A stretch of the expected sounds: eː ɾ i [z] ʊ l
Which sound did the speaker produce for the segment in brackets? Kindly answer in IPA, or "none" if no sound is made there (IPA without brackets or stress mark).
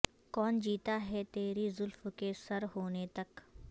z